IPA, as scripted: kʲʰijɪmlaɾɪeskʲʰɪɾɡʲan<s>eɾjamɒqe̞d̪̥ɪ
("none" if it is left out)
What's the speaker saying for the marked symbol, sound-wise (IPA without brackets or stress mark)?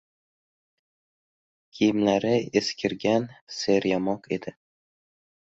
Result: s